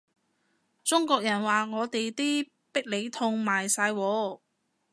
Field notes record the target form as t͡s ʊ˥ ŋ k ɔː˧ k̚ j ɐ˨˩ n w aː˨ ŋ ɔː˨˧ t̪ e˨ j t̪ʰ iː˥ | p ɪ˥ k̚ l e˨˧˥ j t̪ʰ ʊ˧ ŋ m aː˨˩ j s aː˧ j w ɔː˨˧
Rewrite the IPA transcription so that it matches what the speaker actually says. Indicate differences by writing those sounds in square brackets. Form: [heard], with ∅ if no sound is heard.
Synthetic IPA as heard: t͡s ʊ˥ ŋ k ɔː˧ k̚ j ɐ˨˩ n w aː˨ ŋ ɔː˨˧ t̪ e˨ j [t̪] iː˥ | p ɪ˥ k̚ l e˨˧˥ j t̪ʰ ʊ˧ ŋ m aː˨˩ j s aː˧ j w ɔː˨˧

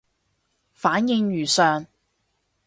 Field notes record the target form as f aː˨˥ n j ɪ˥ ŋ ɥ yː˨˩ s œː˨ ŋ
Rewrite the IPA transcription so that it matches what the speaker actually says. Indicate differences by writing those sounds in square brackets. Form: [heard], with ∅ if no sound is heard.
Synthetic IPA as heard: f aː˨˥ n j [ɪ˧] ŋ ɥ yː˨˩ s œː˨ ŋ

